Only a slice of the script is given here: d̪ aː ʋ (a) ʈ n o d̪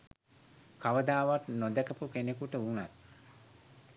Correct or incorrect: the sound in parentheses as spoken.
correct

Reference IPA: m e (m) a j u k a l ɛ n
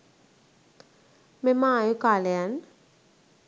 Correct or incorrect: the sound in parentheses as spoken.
correct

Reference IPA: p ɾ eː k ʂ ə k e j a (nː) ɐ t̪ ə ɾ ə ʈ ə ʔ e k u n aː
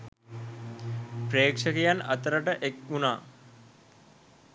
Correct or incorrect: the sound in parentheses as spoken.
incorrect: n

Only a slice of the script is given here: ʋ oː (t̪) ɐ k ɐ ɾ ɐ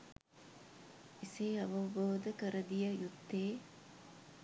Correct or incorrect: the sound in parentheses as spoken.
incorrect: d̪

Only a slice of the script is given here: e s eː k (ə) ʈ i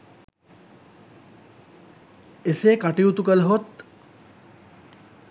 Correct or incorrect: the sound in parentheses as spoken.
incorrect: a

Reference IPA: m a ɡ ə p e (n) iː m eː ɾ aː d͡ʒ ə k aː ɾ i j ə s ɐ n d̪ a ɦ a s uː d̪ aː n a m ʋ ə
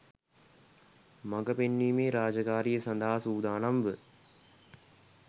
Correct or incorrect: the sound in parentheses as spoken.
incorrect: nː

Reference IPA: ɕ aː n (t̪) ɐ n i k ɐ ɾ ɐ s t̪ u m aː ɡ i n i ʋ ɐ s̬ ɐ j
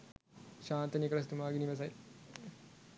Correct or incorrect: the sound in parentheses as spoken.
correct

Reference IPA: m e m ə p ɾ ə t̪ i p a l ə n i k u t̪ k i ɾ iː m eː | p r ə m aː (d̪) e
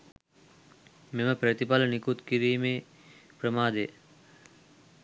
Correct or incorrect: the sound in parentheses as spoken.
correct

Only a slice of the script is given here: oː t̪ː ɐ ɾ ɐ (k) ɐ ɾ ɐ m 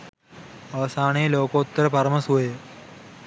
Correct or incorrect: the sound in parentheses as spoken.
incorrect: p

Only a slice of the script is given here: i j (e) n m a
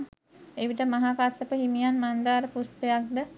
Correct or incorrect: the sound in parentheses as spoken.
incorrect: a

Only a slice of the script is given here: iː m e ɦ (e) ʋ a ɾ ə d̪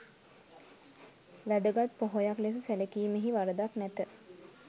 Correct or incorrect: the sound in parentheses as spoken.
incorrect: i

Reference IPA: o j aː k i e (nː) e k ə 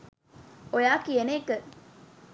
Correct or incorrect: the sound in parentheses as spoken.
incorrect: n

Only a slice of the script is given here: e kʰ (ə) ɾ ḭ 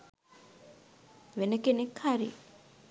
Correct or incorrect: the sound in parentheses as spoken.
incorrect: a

